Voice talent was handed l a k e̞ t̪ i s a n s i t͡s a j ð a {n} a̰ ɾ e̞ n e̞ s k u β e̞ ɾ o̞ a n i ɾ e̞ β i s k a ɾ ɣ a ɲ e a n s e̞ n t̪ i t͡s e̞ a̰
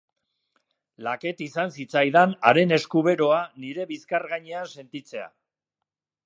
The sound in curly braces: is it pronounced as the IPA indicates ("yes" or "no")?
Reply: yes